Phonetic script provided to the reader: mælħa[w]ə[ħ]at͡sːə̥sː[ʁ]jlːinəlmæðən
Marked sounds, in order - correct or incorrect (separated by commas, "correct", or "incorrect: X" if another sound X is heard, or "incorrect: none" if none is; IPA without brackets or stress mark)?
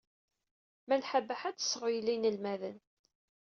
incorrect: b, correct, correct